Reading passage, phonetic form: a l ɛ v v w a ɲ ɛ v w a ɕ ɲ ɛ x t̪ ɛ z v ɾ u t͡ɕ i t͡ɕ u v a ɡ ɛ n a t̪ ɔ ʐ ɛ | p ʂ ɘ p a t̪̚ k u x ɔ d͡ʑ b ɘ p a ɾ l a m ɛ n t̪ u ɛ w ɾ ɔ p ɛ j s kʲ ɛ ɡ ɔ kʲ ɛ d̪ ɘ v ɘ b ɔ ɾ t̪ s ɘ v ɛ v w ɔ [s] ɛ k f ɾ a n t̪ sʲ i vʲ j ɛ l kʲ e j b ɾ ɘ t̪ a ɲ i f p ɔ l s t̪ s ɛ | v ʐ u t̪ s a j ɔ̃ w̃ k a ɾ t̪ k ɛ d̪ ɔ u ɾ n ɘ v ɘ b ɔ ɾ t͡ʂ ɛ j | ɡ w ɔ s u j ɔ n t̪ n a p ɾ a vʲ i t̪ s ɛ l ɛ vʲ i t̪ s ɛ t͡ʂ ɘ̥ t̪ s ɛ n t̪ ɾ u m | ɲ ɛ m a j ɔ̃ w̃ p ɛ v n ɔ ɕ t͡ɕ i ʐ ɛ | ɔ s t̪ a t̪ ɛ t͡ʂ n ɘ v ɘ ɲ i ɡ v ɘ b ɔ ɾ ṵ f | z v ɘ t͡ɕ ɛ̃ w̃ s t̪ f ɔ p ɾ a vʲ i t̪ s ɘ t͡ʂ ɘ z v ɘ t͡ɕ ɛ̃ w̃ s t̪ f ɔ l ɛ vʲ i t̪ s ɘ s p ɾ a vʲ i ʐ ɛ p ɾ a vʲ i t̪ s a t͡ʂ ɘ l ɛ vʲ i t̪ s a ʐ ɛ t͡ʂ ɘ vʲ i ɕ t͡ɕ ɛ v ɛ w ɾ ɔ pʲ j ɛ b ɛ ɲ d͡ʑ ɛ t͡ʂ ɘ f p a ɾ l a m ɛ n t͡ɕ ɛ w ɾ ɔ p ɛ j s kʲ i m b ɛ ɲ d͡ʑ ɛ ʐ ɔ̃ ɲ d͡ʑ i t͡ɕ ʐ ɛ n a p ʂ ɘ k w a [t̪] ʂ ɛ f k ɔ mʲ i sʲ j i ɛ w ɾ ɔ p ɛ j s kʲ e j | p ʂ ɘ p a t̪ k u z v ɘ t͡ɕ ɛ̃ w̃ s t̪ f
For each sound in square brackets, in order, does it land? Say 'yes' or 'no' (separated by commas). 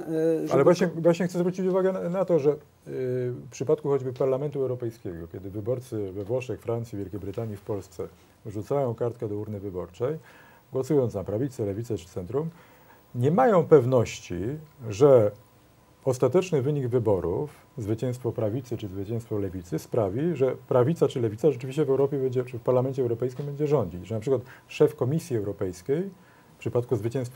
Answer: no, yes